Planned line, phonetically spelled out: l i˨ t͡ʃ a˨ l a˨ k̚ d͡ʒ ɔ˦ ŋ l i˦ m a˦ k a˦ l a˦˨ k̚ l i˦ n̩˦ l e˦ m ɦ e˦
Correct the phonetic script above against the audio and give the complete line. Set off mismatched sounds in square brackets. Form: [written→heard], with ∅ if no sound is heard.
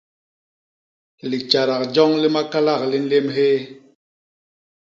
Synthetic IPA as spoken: l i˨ t͡ʃ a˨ [l→ɾ] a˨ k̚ d͡ʒ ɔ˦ ŋ l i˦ m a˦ k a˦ l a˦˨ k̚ l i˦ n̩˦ l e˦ m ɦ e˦